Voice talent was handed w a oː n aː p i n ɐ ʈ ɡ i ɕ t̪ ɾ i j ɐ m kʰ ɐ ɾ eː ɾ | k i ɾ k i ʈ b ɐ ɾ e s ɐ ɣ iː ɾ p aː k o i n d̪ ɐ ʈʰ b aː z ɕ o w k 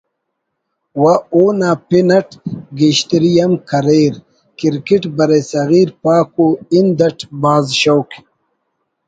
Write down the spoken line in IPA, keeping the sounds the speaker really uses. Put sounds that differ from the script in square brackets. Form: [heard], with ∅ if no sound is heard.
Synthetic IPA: w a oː n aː p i n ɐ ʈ ɡ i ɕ t̪ ɾ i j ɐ m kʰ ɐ ɾ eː ɾ | k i ɾ k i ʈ b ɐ ɾ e s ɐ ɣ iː ɾ p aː k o i n d̪ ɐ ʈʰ b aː z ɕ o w k